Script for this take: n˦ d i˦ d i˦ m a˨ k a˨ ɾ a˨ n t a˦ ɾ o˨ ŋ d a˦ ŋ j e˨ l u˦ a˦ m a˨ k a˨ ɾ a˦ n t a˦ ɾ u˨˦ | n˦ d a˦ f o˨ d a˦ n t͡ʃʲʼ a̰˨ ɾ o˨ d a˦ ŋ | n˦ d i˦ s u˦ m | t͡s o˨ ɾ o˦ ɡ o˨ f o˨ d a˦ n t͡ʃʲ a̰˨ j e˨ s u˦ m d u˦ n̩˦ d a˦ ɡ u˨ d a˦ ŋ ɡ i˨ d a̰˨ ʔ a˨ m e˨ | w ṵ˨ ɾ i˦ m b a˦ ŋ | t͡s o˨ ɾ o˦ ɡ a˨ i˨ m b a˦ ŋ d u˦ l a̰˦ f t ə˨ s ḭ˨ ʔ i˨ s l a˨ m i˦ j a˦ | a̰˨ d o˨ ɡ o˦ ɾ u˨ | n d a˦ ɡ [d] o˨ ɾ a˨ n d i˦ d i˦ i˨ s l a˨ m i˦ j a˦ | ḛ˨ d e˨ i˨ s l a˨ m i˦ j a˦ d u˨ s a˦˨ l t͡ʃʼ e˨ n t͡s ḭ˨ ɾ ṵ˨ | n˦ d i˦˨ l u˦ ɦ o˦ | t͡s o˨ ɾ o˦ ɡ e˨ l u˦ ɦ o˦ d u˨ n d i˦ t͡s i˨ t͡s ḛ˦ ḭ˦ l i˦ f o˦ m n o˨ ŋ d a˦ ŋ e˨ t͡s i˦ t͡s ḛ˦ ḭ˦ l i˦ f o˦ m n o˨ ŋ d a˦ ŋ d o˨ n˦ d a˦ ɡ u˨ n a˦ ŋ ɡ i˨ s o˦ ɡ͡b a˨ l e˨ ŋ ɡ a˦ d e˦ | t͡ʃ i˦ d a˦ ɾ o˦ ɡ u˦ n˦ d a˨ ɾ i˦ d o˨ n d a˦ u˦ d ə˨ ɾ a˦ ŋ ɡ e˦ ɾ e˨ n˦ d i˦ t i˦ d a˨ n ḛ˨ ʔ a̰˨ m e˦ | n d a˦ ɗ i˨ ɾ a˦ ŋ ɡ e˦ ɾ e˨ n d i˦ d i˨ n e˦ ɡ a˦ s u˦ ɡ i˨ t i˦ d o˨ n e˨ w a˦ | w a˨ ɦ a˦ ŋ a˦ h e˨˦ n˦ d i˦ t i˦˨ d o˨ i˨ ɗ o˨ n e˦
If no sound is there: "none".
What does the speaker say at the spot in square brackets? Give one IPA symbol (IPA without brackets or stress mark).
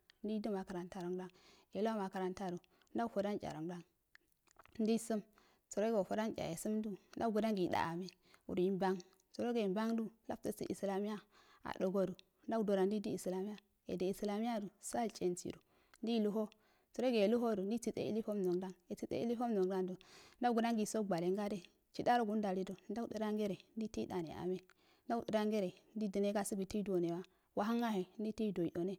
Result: d